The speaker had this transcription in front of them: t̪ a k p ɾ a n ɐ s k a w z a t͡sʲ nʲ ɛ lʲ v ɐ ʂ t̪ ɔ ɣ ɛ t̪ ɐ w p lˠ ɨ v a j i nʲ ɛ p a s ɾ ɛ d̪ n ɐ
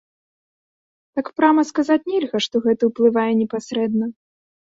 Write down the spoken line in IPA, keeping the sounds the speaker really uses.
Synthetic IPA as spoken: t̪ a k p ɾ a m ɐ s k a z a t͡sʲ nʲ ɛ lʲ ɣ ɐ ʂ t̪ ɔ ɣ ɛ t̪ ɐ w p lˠ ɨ v a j ɛ nʲ ɛ p a s ɾ ɛ d̪ n ɐ

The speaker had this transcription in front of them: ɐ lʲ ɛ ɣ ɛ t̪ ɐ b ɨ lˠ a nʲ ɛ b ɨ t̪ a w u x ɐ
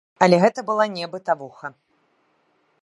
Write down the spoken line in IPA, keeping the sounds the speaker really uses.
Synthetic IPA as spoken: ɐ lʲ ɛ ɣ ɛ t̪ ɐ b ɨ lˠ a nʲ ɛ b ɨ t̪ a v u x ɐ

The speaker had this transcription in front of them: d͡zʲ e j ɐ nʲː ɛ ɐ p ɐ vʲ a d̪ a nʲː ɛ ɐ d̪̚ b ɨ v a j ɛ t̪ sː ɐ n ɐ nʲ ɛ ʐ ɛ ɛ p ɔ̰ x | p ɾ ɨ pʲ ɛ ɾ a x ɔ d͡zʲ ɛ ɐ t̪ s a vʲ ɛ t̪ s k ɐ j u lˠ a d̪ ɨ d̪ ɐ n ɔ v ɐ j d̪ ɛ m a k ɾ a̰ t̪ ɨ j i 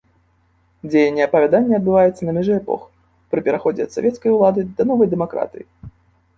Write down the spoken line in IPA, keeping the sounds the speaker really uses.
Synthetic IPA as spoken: d͡zʲ e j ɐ nʲː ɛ ɐ p ɐ vʲ a d̪ a nʲː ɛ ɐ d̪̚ b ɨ v a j ɛ t̪ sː ɐ n ɐ mʲ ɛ ʐ ɛ ɛ p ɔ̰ x | p ɾ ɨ pʲ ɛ ɾ a x ɔ d͡zʲ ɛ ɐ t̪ s a vʲ ɛ t̪ s k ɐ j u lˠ a d̪ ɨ d̪ ɐ n ɔ v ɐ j d̪ ɛ m a k ɾ a̰ t̪ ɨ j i

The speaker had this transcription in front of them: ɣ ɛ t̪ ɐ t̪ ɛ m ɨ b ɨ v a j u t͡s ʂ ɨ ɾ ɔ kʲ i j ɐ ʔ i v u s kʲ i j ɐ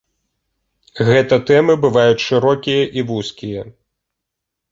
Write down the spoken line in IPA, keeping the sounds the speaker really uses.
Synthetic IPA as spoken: ɣ ɛ t̪ ɐ t̪ ɛ m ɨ b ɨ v a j u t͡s ʂ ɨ ɾ ɔ kʲ i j ɐ ʔ i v u s kʲ i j ɐ

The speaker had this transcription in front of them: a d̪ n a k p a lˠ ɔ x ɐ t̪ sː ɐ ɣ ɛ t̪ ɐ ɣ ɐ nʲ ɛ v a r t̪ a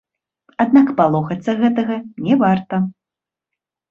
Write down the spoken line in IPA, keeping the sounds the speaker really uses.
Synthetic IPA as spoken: a d̪ n a k p a lˠ ɔ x ɐ t̪ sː ɐ ɣ ɛ t̪ ɐ ɣ ɐ nʲ ɛ v a r t̪ ɐ

